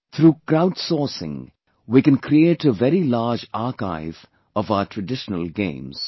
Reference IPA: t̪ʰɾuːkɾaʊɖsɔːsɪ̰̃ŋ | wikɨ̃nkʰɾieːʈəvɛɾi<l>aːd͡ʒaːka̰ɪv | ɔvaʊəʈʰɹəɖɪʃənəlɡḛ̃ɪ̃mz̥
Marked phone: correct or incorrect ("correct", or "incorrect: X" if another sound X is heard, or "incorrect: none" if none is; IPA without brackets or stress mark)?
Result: correct